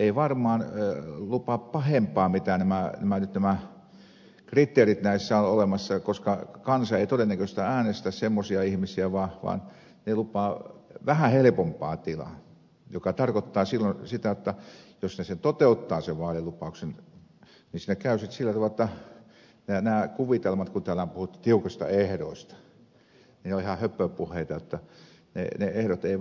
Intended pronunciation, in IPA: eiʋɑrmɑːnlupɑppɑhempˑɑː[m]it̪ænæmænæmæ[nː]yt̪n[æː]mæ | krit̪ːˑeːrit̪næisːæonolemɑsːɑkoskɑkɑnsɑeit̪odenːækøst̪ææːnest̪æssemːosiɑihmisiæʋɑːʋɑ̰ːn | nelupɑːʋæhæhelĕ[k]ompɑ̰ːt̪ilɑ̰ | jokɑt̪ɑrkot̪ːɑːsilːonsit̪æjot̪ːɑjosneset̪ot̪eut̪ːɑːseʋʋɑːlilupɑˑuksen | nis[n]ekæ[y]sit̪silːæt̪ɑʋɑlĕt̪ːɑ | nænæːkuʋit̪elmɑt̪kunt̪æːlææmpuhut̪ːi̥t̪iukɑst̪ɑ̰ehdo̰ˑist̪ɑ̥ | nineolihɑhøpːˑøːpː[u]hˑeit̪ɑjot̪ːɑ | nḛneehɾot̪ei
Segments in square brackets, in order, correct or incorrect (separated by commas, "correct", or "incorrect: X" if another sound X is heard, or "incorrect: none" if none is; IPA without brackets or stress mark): correct, incorrect: n, incorrect: æ, incorrect: p, correct, correct, correct